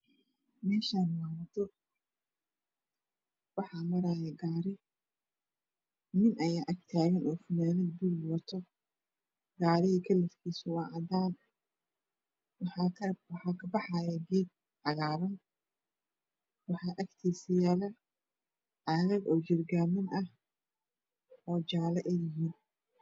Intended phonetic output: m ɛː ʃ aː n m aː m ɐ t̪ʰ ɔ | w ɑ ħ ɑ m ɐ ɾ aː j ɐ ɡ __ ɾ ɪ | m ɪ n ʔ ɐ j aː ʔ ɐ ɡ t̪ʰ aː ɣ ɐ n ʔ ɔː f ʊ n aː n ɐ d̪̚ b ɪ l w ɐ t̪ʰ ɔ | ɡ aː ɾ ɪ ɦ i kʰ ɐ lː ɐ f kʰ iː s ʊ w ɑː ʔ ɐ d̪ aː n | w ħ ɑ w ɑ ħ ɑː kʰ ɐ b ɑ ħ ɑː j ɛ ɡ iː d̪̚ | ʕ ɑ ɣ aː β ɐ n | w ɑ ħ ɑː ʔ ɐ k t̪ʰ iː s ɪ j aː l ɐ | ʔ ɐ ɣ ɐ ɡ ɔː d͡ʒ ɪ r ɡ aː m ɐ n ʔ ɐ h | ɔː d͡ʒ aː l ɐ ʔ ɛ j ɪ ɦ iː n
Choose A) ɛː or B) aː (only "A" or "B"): B